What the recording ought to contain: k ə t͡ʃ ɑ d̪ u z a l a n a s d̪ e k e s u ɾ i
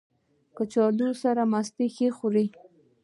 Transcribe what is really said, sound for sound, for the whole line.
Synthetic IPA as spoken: k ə t͡ʃ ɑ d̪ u s a ɾ a m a s t̪ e x e x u ɾ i